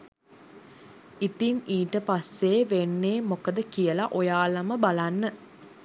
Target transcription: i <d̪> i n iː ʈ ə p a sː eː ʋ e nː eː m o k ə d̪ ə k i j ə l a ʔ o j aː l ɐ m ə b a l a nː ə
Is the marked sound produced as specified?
no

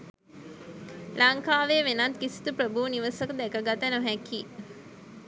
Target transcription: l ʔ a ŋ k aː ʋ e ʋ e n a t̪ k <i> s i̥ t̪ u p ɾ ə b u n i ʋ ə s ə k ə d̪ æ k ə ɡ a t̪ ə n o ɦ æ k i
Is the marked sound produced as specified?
yes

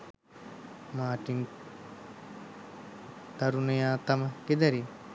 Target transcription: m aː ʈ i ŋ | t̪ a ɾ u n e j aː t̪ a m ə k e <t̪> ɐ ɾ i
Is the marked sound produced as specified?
no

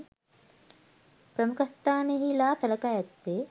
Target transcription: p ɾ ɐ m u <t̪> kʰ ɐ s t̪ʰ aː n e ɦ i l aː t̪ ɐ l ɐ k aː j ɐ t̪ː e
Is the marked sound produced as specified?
no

